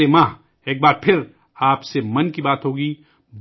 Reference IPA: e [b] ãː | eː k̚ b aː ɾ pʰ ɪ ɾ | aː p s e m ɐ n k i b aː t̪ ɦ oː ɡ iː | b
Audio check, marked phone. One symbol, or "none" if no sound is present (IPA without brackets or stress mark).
m